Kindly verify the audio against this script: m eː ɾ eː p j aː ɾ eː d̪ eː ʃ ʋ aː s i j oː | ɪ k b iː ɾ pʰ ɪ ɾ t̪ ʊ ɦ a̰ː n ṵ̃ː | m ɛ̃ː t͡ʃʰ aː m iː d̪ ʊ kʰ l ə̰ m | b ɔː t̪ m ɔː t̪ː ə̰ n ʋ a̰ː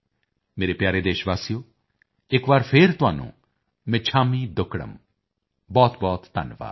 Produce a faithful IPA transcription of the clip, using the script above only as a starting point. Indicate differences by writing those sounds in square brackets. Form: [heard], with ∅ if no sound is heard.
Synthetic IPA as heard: m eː ɾ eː p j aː ɾ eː d̪ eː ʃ ʋ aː s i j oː | ɪ k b [aː] ɾ pʰ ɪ ɾ t̪ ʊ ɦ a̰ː n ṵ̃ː | m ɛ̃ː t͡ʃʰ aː m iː d̪ ʊ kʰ [ɽ] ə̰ m | b ɔː t̪ [b] ɔː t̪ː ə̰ n ʋ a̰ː